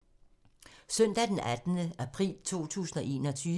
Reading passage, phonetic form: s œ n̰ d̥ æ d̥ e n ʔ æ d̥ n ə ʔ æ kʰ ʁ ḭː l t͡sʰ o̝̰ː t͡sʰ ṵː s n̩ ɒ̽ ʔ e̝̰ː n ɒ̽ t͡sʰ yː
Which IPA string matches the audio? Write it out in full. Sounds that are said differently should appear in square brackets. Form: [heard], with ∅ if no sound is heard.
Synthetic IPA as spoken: s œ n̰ d̥ æ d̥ e n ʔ æ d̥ n ə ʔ æ [pʰ] ʁ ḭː l t͡sʰ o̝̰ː t͡sʰ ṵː s n̩ ɒ̽ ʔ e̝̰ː n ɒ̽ t͡sʰ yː